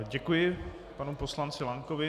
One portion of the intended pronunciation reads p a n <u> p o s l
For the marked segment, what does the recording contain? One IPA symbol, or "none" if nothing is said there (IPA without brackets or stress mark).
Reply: u